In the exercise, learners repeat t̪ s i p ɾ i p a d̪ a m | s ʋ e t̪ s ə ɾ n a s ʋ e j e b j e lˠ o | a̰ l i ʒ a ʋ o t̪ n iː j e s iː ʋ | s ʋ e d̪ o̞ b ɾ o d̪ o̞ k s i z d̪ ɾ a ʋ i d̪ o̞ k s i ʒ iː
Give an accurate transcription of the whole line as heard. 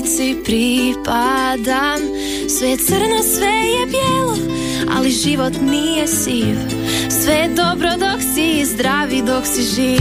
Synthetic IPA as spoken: t̪ s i p ɾ i p a d̪ a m | s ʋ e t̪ s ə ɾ n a s ʋ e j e b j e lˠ o | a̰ l i ʒ i ʋ o t̪ n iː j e s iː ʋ | s ʋ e d̪ o̞ b ɾ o d̪ o̞ k s i z d̪ ɾ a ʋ i d̪ o̞ k s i ʒ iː